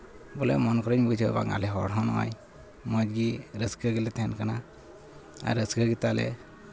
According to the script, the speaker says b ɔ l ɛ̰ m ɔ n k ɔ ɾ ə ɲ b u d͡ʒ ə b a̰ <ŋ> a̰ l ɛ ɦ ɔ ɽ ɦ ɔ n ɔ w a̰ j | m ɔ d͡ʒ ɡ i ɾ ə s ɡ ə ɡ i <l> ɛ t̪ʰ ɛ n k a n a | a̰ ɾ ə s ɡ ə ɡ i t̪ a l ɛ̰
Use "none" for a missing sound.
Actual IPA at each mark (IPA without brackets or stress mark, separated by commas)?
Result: ŋ, l